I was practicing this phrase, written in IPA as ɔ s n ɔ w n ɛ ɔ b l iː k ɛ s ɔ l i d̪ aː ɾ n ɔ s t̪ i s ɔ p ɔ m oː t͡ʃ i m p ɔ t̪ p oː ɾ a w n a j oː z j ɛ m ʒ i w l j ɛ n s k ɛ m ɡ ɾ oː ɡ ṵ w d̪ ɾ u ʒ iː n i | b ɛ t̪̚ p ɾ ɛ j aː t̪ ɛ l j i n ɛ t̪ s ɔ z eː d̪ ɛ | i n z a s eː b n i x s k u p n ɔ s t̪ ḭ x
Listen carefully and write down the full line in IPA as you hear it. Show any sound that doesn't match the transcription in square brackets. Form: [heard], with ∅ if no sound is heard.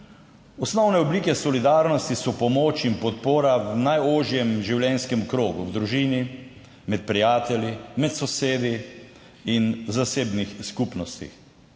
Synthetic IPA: ɔ s n ɔ w n ɛ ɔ b l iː k ɛ s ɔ l i d̪ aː ɾ n ɔ s t̪ i s ɔ p ɔ m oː t͡ʃ i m p ɔ t̪ p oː ɾ a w n a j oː [ʒ] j ɛ m ʒ i w l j ɛ n s k ɛ m [k] ɾ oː ɡ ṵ w d̪ ɾ u ʒ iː n i | [m] ɛ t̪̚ p ɾ [i] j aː t̪ ɛ l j i [m] ɛ t̪ s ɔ [s] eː d̪ [i] | i n z a s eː b n i x s k u p n ɔ s t̪ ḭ x